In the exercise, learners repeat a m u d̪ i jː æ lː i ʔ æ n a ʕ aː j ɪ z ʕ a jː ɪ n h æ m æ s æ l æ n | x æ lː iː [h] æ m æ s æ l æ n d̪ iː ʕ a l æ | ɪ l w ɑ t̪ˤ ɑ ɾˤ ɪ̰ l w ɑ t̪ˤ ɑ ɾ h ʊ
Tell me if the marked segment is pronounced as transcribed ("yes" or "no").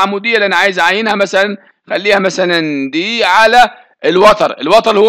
yes